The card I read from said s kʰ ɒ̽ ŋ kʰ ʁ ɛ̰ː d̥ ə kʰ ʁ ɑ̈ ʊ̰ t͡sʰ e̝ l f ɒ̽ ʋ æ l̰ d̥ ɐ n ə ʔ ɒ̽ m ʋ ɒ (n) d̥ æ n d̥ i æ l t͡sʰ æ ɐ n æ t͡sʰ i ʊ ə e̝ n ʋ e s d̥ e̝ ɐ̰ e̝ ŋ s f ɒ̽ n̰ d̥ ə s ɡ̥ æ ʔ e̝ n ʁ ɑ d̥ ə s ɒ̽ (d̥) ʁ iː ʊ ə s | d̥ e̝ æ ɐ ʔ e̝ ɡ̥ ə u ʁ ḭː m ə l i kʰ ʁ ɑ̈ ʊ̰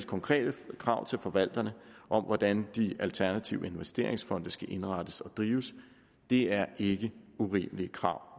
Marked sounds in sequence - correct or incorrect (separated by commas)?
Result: incorrect, correct